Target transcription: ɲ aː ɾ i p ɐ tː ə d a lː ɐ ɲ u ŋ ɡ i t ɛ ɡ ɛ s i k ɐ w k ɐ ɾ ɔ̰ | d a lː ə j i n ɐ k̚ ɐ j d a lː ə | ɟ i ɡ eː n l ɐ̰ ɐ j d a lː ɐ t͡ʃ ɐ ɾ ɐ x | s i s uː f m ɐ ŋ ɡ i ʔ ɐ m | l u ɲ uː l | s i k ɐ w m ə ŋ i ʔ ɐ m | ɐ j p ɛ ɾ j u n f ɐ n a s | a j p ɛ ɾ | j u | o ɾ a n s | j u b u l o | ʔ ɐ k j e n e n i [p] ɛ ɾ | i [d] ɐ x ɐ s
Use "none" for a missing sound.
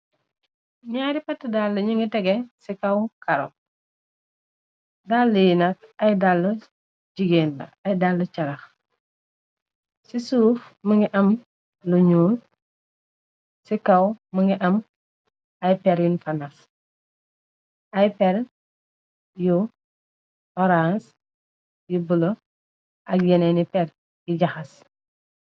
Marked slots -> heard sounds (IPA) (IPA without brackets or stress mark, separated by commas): p, ɟ